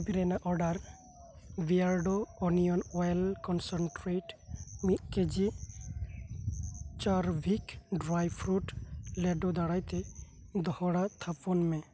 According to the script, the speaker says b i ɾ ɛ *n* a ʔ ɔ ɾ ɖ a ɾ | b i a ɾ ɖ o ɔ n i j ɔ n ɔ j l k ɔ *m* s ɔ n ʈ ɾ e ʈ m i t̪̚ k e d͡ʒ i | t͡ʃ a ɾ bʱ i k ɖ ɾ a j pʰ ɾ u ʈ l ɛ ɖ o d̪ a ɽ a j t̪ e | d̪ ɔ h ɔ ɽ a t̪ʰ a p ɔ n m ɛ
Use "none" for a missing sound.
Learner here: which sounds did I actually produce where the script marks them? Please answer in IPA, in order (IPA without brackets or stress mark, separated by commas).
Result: n, n